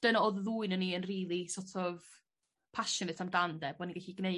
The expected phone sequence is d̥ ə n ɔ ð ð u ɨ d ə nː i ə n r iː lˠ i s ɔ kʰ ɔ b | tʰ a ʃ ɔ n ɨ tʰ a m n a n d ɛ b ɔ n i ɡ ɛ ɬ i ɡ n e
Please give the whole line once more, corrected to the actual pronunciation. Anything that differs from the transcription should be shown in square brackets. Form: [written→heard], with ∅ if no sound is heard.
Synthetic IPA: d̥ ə n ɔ ð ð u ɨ [d→n] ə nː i ə n r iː lˠ i s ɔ [kʰ→tʰ] ɔ [b→v] | [tʰ→pʰ] a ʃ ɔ n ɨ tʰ a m [n→d] a n d ɛ b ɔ n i ɡ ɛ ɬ i ɡ n e